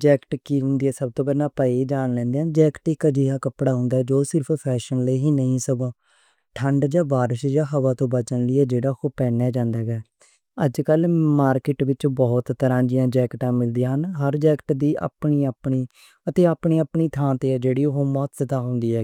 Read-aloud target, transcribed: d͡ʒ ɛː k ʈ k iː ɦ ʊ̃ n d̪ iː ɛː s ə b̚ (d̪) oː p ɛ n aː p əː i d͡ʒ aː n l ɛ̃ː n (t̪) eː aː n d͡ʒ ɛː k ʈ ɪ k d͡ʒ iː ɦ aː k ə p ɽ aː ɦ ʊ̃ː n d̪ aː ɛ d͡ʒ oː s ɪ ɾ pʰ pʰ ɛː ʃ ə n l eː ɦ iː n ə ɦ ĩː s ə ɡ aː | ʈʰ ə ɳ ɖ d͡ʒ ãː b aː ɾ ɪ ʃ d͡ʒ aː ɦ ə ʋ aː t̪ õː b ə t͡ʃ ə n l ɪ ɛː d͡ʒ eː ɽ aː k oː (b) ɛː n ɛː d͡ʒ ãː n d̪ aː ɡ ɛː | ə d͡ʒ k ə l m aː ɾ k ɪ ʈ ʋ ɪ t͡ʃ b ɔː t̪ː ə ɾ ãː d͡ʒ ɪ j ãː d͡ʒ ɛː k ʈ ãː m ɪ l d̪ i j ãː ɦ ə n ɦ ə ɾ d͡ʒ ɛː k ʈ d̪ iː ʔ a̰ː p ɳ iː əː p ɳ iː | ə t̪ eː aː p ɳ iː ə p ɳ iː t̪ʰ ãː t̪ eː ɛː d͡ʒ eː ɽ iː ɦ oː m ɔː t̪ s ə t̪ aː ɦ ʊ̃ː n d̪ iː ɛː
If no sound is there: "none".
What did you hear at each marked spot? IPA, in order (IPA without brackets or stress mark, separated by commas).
t̪, d̪, p